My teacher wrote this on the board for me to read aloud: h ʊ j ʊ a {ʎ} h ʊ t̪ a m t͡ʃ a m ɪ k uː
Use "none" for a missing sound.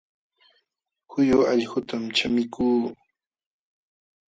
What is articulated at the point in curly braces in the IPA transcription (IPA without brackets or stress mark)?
ʎ